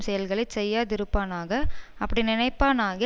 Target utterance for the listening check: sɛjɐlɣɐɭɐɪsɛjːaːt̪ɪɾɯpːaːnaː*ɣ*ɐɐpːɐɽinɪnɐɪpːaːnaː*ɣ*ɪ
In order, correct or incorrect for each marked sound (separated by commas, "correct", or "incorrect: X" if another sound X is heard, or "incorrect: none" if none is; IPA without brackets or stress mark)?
correct, correct